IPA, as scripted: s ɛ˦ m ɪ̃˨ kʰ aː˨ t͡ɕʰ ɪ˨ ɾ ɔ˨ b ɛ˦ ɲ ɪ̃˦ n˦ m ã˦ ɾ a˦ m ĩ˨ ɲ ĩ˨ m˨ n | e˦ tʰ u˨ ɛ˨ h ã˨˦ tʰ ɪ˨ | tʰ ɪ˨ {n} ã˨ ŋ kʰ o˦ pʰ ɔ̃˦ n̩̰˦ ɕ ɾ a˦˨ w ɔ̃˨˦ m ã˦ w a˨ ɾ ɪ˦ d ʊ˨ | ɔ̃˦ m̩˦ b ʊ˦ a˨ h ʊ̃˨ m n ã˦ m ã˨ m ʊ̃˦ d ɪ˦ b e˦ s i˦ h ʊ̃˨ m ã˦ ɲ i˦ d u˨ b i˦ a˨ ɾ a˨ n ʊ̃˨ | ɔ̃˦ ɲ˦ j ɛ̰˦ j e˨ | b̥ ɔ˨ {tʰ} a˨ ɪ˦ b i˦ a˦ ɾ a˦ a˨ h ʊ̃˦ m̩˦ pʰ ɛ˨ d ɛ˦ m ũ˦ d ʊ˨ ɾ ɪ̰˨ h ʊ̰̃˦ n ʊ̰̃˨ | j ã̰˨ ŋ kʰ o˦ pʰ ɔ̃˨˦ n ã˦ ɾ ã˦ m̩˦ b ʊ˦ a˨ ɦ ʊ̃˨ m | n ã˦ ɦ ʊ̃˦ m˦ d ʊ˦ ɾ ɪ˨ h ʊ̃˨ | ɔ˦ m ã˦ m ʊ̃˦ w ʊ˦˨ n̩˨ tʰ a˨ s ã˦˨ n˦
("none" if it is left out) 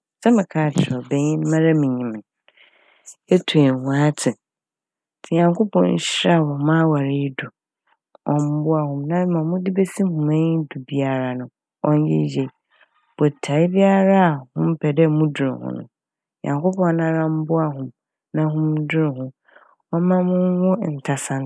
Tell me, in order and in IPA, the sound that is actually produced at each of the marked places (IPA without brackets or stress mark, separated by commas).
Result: ɲ, tʰ